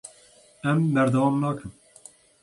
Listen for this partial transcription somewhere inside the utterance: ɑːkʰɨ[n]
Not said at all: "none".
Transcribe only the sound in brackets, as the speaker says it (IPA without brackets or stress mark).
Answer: m